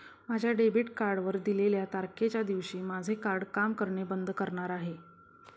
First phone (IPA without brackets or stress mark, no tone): m